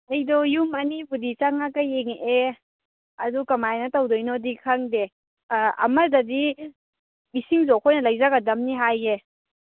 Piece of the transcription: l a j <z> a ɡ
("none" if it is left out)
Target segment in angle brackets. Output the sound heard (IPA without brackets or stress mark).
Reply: z